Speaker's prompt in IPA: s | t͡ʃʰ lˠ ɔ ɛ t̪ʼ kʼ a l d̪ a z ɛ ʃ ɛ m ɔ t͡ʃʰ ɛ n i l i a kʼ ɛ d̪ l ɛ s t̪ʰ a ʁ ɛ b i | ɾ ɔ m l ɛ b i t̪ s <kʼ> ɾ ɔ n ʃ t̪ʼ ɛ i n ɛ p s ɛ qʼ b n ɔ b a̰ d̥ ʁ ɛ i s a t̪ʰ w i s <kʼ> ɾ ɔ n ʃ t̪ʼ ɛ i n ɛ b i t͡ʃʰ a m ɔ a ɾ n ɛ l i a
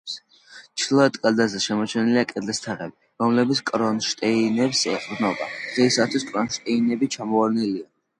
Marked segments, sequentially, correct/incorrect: correct, correct

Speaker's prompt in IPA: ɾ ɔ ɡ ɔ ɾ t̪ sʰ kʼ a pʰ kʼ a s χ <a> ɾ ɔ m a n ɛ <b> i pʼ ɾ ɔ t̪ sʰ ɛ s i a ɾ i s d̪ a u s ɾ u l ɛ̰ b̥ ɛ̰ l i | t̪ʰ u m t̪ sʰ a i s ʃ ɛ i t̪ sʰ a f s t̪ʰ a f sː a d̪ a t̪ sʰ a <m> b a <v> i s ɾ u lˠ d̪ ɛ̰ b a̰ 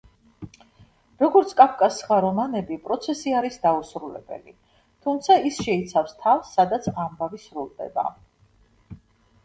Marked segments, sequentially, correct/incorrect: correct, correct, correct, correct

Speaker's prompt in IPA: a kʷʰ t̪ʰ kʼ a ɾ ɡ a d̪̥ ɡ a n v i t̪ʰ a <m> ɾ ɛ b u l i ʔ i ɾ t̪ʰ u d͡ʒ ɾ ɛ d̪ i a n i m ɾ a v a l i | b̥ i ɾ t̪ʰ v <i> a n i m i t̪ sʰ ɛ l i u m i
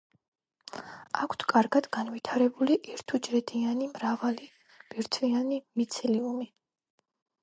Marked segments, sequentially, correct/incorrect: incorrect: none, correct

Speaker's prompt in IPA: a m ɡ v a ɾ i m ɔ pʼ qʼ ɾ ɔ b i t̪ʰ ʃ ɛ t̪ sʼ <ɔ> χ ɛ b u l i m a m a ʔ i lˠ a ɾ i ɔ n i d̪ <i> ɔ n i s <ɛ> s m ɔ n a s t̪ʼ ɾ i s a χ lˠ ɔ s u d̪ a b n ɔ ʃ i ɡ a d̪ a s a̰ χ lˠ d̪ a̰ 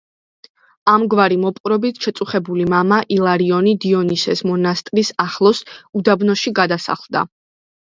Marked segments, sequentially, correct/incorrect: incorrect: u, correct, correct

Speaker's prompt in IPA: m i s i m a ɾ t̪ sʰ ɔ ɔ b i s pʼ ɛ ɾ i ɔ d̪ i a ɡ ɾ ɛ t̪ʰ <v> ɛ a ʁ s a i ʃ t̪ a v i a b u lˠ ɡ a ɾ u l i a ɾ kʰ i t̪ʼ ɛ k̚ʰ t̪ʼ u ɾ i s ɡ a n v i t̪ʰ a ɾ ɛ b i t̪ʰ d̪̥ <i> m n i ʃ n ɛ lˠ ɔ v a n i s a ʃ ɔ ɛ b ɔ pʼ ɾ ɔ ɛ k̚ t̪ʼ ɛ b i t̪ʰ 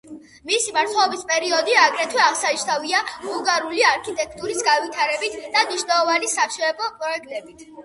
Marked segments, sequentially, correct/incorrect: incorrect: w, incorrect: a

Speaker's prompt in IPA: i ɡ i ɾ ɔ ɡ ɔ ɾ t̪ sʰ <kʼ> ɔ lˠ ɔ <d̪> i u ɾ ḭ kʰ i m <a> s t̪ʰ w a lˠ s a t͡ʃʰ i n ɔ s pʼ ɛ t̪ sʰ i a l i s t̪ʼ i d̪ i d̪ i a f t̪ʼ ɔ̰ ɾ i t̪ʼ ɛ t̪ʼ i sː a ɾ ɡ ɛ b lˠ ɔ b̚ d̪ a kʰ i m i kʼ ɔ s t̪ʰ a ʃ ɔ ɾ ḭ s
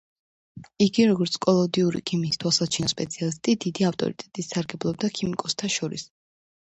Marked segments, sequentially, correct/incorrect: correct, correct, incorrect: i

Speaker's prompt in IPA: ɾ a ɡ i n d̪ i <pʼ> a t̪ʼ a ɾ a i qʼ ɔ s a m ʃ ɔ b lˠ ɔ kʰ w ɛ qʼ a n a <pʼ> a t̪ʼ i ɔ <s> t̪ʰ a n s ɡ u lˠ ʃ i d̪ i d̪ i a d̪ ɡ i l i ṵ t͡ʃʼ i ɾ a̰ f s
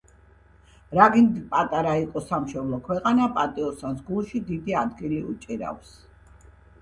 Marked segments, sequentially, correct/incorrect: correct, correct, correct

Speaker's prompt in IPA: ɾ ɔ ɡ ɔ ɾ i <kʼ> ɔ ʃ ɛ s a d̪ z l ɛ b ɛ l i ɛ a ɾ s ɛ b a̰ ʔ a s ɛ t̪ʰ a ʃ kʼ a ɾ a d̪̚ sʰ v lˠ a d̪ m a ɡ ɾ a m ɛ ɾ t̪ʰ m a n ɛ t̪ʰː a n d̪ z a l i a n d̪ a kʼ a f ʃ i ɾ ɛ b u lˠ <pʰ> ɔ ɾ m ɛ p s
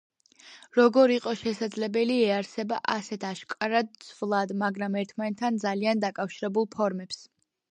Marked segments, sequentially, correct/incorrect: incorrect: qʼ, correct

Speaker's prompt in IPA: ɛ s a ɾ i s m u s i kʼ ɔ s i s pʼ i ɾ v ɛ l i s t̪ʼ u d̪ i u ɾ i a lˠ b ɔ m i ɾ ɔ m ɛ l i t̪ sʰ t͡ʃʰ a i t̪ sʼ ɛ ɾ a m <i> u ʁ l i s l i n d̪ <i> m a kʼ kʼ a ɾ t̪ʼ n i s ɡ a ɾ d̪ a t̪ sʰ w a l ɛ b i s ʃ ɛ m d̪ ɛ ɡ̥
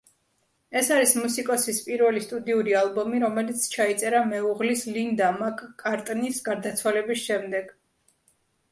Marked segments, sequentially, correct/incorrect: incorrect: ɛ, incorrect: a

